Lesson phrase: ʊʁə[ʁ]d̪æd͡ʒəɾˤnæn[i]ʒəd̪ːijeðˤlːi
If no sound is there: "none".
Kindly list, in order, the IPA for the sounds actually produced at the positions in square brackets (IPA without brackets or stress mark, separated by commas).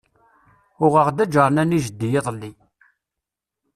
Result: ʁ, i